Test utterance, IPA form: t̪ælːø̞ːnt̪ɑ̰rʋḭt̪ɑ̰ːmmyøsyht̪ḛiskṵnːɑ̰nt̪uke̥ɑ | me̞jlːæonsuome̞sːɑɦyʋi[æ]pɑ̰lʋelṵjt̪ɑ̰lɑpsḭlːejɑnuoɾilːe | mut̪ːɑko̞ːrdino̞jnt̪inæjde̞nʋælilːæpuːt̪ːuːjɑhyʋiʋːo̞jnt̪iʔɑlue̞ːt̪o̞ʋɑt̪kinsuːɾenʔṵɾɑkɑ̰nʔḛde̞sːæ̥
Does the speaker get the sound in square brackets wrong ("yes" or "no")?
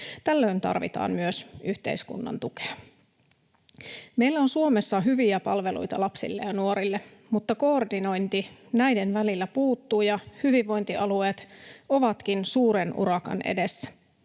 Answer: no